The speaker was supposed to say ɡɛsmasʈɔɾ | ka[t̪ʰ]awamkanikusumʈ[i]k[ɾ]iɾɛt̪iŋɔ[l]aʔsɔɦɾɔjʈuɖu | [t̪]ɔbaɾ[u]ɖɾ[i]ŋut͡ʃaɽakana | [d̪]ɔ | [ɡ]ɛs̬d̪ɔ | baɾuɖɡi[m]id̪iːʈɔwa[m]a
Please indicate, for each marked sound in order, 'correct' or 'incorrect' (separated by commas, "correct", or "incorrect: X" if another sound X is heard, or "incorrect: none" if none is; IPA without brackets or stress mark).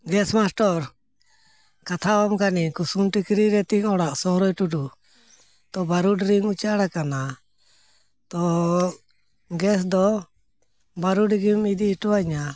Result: correct, correct, correct, incorrect: ɽ, correct, correct, correct, incorrect: t̪, correct, correct, incorrect: ɲ